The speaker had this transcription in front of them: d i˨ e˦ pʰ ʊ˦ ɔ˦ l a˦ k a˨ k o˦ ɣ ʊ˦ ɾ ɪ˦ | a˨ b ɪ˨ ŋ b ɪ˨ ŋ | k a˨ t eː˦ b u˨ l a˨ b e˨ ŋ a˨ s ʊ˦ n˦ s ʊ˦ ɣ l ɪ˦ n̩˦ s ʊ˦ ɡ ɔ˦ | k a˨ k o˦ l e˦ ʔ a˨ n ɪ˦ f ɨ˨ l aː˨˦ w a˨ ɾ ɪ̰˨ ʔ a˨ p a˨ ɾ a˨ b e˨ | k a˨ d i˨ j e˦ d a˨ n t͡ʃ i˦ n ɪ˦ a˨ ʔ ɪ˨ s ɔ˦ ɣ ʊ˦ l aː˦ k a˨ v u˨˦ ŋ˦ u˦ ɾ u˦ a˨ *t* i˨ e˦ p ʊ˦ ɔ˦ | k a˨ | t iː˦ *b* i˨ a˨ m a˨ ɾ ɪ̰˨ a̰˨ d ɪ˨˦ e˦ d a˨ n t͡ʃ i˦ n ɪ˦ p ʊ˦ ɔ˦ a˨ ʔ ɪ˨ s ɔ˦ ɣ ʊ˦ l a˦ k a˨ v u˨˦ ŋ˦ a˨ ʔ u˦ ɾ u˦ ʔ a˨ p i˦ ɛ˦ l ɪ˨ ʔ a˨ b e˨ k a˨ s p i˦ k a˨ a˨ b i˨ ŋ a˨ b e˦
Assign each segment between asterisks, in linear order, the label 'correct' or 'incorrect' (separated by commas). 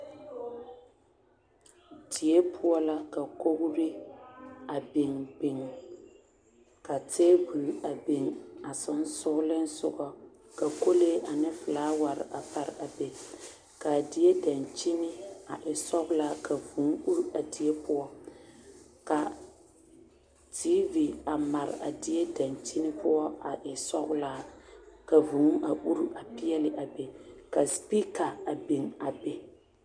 incorrect, incorrect